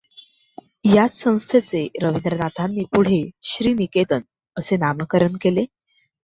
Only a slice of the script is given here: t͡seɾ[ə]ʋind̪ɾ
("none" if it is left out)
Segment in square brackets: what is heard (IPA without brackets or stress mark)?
ə